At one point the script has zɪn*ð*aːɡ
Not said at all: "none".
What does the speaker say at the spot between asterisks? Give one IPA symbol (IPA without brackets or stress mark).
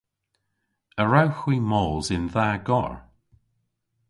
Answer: ð